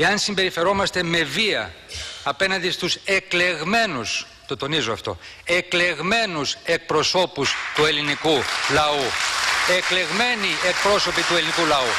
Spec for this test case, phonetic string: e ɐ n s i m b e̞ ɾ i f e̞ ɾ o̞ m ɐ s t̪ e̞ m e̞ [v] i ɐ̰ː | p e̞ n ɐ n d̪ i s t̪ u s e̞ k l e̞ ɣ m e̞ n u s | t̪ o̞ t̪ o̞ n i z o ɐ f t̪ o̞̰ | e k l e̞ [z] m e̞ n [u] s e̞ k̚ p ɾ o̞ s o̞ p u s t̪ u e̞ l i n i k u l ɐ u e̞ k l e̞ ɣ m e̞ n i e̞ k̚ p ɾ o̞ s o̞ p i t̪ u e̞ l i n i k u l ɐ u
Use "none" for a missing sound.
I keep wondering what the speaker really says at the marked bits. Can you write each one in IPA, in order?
v, ɣ, u

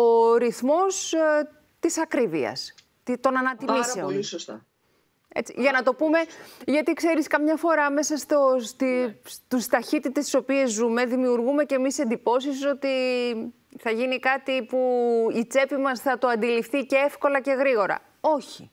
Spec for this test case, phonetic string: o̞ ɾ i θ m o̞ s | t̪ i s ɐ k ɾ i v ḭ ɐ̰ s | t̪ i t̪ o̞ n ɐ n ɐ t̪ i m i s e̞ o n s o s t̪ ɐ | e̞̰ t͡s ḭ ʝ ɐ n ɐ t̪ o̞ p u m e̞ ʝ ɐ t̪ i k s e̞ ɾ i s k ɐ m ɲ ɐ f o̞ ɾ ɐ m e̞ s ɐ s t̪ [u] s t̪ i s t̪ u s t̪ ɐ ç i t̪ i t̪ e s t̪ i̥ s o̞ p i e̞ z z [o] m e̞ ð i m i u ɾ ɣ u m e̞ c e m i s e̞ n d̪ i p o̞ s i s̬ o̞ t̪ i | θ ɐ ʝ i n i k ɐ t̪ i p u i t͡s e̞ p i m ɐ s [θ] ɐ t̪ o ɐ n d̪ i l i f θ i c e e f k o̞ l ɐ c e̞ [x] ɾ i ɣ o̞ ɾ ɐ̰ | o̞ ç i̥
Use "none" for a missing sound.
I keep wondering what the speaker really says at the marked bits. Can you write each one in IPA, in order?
o, u, θ, ɣ

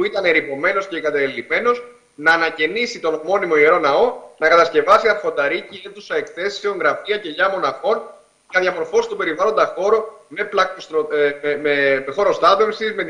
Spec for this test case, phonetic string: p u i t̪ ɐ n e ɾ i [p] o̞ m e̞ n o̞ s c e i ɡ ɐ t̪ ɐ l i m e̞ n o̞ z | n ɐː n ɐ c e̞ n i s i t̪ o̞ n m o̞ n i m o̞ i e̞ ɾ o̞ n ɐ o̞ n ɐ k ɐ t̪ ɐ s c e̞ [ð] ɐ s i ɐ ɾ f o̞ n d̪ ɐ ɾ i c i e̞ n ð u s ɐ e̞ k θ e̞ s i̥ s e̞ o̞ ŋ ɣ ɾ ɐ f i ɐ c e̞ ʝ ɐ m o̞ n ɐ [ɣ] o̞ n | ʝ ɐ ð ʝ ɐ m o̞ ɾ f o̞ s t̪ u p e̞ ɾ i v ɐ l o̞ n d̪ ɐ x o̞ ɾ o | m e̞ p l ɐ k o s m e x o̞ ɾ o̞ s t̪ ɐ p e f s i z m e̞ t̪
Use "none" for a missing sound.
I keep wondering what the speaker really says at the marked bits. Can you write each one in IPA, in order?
p, v, x

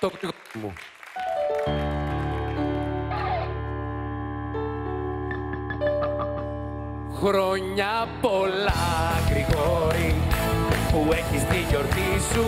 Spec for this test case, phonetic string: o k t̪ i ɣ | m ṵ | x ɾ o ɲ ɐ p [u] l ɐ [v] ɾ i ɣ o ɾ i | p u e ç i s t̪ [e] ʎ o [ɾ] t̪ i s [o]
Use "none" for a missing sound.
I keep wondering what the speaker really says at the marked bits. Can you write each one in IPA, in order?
o, ɣ, i, ɾ, u

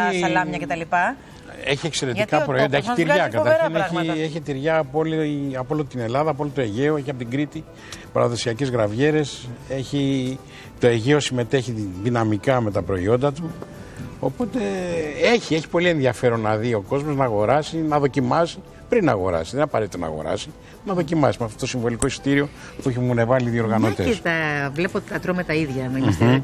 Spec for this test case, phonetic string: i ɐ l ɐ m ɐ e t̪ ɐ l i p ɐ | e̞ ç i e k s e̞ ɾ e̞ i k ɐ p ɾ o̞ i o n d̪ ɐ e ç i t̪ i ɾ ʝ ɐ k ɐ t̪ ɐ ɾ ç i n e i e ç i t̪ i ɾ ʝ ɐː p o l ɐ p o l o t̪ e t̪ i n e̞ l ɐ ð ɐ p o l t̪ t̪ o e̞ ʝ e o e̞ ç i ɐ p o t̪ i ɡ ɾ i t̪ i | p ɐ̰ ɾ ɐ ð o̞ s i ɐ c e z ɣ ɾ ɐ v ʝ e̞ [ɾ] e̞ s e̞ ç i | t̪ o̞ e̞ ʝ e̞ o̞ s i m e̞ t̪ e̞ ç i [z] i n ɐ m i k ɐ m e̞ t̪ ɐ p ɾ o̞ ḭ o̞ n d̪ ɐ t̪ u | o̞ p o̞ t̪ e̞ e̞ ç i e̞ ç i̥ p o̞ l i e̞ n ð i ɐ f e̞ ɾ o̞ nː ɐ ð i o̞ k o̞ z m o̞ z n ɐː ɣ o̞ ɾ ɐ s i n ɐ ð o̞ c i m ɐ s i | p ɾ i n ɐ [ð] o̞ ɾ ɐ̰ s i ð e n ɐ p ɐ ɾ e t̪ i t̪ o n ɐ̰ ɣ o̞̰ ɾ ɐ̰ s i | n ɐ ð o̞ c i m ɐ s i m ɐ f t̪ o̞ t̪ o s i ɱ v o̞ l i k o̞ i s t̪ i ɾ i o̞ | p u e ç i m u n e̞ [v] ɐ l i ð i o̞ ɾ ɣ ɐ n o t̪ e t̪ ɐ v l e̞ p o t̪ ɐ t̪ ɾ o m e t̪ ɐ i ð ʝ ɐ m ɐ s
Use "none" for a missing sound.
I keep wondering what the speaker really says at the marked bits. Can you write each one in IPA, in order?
ɾ, ð, ɣ, v

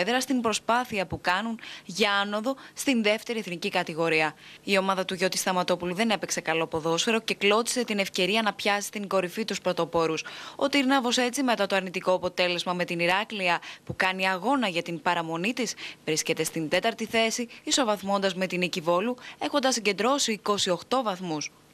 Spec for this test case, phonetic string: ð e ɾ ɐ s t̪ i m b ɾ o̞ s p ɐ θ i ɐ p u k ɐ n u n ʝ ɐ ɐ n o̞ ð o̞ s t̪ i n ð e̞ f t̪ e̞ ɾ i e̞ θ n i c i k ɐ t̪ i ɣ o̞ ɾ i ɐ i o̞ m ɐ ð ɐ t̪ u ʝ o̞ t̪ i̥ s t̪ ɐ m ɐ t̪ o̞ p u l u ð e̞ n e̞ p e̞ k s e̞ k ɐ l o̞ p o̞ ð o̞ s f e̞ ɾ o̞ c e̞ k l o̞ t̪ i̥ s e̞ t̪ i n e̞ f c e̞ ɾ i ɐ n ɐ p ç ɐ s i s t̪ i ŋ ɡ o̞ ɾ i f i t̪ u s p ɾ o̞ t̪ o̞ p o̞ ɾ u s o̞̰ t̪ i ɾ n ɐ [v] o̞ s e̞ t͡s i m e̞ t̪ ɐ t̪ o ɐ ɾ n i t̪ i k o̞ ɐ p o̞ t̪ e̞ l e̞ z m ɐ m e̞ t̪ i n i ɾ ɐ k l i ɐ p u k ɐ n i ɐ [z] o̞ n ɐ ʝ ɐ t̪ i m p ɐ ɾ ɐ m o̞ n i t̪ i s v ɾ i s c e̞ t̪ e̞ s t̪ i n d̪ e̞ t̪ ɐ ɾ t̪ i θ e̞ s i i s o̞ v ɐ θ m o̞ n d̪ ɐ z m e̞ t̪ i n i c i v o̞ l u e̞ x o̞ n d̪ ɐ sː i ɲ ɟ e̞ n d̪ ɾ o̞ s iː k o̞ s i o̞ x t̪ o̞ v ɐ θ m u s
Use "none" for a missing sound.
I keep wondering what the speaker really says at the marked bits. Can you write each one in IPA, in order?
v, ɣ

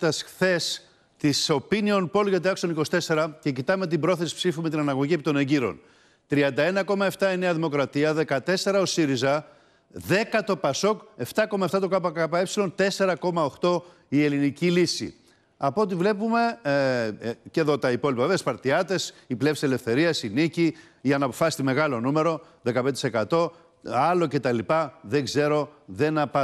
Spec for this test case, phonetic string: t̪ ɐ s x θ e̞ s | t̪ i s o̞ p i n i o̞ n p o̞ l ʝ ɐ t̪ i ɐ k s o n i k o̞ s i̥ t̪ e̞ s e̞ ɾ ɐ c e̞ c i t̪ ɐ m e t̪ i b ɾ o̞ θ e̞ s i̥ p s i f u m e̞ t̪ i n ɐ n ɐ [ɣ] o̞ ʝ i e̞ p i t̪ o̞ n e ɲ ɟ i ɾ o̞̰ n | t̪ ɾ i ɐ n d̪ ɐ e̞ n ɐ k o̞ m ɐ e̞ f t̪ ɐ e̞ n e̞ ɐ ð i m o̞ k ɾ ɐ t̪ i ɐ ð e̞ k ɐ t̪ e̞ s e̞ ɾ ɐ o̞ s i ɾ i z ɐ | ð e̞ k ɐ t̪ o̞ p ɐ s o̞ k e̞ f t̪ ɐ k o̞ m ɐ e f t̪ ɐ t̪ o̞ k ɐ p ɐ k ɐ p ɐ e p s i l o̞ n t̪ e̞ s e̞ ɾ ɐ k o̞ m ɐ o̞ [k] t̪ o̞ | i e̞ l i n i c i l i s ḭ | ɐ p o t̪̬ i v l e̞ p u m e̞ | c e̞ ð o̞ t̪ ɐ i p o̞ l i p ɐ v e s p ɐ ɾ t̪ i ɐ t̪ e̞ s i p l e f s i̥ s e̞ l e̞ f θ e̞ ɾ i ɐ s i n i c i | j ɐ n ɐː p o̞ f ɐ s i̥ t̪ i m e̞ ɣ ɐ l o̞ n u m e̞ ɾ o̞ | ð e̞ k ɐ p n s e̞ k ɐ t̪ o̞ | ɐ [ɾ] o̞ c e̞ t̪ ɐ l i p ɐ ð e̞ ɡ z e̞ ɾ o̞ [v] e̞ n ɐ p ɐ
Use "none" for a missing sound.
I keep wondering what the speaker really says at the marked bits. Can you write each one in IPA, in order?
ɣ, x, l, ð

